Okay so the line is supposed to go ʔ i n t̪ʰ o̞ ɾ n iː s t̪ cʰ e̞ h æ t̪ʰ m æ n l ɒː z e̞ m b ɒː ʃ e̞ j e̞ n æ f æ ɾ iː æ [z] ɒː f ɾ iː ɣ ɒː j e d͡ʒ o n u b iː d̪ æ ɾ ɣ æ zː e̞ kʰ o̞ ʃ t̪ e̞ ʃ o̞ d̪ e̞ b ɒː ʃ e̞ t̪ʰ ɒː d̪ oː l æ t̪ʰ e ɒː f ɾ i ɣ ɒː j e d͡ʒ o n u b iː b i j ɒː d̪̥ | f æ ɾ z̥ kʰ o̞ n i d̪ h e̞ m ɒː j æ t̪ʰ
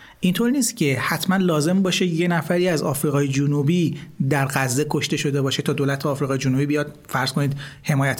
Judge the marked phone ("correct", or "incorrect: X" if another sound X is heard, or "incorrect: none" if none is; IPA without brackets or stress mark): correct